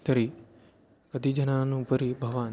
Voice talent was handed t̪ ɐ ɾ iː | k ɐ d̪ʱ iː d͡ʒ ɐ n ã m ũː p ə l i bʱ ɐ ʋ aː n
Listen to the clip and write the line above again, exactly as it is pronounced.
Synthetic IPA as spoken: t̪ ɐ ɾ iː | k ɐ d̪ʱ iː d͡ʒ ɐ n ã n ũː p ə ɾ i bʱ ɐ ʋ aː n